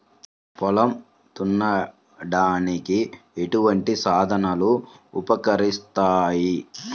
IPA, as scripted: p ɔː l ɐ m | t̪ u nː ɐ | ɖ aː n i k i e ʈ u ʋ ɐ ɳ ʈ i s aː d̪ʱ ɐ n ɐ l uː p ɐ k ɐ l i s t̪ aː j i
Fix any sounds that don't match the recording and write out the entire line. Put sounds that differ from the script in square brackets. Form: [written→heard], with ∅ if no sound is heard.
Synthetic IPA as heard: p [ɔː→ɔ] l ɐ m | t̪ u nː ɐ | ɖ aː n i k i e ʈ u ʋ ɐ ɳ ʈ i s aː d̪ʱ ɐ n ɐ l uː p ɐ k ɐ [l→ɾ] i s t̪ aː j i